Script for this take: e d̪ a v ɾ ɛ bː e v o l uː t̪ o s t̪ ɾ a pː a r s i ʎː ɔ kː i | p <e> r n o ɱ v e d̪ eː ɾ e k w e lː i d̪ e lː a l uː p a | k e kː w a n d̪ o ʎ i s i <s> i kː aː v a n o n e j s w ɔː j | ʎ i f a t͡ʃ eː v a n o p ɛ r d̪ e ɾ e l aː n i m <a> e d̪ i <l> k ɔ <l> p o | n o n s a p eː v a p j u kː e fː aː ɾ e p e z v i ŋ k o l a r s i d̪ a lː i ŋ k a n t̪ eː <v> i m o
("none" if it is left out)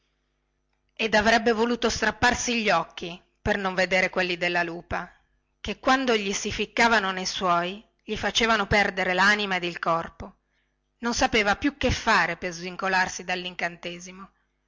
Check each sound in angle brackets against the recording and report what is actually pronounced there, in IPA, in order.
e, f, a, l, r, z

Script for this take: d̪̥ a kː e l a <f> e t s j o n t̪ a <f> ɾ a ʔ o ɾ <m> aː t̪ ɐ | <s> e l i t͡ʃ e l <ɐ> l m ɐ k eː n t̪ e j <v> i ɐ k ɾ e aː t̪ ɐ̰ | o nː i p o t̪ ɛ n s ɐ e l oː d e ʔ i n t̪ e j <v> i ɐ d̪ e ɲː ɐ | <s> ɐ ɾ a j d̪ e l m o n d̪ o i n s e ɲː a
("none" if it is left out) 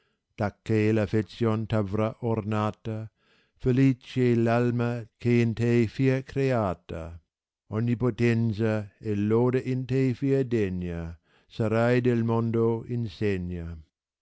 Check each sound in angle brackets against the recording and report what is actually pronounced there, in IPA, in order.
f, v, n, f, a, f, f, s

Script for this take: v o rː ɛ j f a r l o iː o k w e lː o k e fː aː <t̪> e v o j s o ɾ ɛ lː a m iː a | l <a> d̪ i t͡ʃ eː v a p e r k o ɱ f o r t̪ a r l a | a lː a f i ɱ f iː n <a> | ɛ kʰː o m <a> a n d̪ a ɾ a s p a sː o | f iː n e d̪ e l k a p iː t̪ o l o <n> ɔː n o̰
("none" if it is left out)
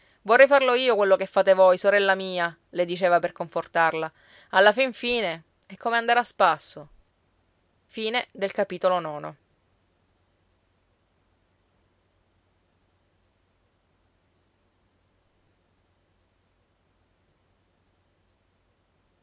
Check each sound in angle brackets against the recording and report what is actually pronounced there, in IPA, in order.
t̪, e, e, e, n

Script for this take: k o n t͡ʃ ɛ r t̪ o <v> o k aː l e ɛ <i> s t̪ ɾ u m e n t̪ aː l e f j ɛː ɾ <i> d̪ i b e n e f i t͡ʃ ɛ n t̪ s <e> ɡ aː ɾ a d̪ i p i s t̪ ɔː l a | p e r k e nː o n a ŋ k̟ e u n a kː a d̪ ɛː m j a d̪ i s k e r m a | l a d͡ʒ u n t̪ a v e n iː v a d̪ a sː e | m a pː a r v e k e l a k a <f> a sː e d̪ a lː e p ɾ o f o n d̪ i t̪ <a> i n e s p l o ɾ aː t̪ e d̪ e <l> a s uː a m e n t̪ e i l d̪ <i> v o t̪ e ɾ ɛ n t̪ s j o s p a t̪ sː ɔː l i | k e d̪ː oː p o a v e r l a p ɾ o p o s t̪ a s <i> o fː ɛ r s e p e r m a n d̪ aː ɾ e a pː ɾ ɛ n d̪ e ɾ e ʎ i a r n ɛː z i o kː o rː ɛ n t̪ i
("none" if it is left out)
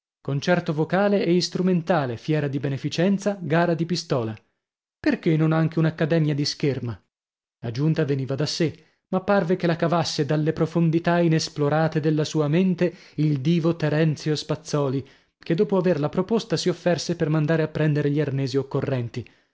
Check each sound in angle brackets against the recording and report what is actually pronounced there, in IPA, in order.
v, i, a, a, v, a, lː, iː, i

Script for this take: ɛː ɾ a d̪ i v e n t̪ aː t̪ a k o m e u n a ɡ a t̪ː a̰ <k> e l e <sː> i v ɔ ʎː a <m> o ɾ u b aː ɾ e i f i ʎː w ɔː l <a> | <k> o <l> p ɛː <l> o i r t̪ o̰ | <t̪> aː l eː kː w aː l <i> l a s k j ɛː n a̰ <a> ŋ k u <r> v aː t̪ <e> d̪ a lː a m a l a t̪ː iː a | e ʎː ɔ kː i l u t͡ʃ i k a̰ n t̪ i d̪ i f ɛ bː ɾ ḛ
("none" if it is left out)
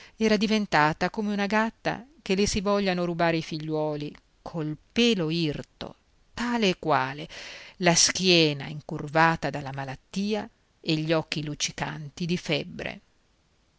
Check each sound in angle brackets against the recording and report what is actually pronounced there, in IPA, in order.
k, s, n, i, kʰ, l, l, t̪, e, i, r, a

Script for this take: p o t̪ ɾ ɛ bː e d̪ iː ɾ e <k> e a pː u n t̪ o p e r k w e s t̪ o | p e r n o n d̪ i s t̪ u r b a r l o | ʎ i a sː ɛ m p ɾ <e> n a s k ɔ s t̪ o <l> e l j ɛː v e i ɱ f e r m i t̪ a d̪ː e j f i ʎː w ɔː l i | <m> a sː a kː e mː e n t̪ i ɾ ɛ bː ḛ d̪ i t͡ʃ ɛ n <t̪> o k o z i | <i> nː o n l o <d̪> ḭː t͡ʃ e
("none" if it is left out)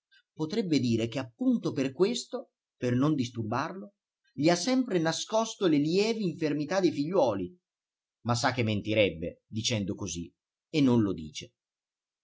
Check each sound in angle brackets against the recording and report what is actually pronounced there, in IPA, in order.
k, e, l, m, d̪, e, d̪

